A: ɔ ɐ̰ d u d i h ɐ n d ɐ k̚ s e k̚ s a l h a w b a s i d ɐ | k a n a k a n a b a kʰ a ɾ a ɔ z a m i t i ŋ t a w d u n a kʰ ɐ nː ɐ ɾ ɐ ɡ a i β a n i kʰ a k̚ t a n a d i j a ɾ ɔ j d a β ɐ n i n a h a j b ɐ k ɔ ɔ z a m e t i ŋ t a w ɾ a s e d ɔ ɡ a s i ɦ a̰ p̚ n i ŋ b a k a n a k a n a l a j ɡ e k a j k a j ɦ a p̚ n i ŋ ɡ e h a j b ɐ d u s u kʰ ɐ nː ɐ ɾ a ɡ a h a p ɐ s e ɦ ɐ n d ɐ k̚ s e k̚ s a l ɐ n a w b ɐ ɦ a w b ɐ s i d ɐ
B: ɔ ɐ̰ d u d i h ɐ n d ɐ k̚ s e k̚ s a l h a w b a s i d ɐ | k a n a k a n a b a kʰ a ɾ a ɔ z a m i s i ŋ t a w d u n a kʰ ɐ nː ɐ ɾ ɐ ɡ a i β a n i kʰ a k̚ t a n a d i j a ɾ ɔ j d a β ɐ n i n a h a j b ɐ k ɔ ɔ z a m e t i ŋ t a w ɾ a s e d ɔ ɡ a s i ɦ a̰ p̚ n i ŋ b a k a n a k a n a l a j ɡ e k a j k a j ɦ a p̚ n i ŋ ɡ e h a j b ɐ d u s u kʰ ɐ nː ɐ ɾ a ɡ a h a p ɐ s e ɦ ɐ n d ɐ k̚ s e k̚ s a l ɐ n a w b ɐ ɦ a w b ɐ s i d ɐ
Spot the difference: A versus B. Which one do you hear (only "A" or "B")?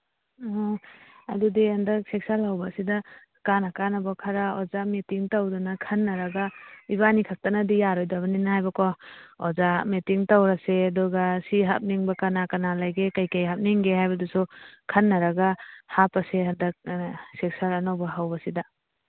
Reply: A